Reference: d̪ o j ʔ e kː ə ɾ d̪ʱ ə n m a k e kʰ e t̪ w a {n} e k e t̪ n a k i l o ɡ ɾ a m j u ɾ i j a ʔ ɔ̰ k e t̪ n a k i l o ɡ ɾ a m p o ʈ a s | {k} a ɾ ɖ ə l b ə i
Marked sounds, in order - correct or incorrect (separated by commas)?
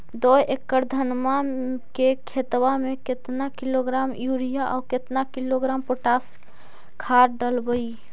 incorrect, incorrect